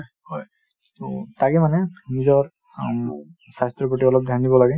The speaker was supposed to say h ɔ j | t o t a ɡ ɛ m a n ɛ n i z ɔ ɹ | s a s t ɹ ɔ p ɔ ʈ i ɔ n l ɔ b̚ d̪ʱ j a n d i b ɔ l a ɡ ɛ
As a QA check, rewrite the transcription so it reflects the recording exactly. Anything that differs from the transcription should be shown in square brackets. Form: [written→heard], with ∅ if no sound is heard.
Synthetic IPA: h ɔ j | t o t a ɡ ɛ m a n ɛ n i z ɔ ɹ | s a s t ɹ ɔ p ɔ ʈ i ɔ [n→∅] l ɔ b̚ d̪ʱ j a n d i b ɔ l a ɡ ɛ

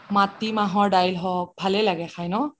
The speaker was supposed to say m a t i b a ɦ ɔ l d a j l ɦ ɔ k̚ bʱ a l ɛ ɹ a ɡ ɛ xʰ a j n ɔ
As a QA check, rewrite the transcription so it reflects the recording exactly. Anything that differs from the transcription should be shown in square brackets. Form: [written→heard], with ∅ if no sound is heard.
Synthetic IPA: m a t i [b→m] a ɦ ɔ [l→ɹ] d a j l ɦ ɔ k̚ bʱ a l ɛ [ɹ→l] a ɡ ɛ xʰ a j n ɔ

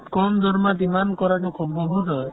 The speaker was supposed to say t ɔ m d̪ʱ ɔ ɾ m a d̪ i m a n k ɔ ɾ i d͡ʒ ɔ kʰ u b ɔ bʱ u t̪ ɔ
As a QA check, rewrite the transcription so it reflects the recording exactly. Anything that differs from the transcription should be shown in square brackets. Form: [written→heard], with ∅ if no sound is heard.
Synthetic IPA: [t→k] ɔ m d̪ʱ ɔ ɾ m a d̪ i m a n k ɔ ɾ [i→a] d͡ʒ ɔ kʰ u b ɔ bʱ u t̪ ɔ

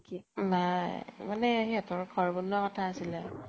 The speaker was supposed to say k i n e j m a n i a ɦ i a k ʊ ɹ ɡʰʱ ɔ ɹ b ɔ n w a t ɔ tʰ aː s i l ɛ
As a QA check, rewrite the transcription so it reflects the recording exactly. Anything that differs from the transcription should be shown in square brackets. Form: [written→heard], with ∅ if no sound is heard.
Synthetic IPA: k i n [e→a] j m a n [i→ɛ] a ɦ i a [k→t] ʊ ɹ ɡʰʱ ɔ ɹ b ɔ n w a [t→k] ɔ tʰ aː s i l ɛ

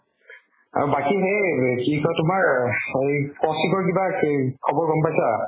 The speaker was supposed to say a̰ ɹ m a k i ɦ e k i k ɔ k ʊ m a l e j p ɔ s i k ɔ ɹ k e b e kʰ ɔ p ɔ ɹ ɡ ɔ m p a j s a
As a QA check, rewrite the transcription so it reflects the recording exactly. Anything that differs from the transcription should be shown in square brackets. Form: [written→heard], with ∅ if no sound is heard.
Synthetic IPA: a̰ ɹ [m→b] a k i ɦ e k i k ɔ [k→t] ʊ m a [l→ɹ] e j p ɔ s i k ɔ ɹ k [e→i] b [e→a] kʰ ɔ [p→b] ɔ ɹ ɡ ɔ m p a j s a

